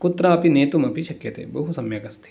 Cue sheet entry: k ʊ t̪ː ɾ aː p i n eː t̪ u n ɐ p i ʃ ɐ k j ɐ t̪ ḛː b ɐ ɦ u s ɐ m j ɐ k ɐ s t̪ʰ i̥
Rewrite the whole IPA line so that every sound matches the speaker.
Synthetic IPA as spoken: k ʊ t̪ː ɾ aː p i n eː t̪ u m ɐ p i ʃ ɐ k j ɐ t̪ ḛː b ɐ ɦ u s ɐ m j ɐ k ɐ s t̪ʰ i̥